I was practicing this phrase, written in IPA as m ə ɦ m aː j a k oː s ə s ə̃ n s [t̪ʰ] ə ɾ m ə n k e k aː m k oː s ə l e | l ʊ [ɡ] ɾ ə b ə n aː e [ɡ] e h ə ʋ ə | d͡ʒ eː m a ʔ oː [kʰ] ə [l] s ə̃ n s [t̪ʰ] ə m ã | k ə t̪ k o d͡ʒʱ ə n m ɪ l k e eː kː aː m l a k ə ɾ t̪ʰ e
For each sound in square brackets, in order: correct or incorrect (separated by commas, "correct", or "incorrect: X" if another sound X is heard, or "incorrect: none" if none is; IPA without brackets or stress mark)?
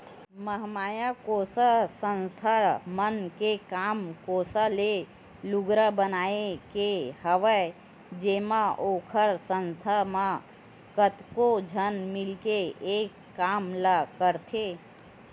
correct, correct, incorrect: k, correct, incorrect: ɾ, correct